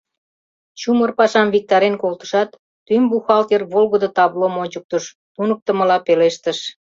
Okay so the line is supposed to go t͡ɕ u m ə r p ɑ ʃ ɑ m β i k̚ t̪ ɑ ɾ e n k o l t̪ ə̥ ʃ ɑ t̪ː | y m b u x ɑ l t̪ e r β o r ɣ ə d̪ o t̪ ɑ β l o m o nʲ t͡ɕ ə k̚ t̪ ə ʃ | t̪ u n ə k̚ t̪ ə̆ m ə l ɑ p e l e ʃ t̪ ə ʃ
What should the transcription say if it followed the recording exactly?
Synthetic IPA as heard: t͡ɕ u m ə r p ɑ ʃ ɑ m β i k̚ t̪ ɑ ɾ e n k o l t̪ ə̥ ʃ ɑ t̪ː | y m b u x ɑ l t̪ e r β o l ɣ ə d̪ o t̪ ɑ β l o m o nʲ t͡ɕ ə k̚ t̪ ə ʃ | t̪ u n ə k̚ t̪ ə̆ m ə l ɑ p e l e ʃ t̪ ə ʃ